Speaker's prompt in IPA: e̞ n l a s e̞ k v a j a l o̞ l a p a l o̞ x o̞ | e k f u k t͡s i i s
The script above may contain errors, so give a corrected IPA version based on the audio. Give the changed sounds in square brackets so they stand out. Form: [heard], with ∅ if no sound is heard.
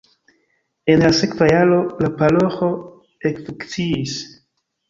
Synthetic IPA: e̞ n l a s e̞ k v a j a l o̞ l a p a l o̞ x o̞ | e k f u k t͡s i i s